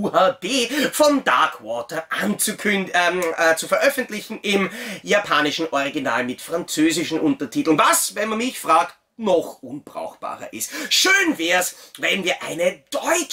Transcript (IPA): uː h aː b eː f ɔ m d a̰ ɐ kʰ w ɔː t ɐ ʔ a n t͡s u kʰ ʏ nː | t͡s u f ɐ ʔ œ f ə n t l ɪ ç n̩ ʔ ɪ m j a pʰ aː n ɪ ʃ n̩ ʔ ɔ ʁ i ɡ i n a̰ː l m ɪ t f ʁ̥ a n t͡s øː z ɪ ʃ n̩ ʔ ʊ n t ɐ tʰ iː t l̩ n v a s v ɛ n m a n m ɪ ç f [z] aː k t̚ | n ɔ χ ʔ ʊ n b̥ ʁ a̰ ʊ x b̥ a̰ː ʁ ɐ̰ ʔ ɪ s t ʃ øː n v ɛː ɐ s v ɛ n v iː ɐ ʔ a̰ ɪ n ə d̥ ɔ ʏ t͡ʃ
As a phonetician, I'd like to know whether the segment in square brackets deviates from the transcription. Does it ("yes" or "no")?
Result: yes